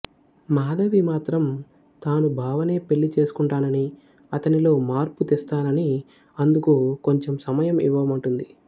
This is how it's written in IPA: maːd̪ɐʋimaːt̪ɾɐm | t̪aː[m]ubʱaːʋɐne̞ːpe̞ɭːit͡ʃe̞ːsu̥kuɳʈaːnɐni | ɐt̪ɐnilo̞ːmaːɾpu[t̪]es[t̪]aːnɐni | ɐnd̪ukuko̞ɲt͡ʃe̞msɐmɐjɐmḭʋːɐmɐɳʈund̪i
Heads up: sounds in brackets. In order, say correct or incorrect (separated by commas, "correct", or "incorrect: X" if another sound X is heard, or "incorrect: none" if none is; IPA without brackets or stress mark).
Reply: incorrect: n, correct, correct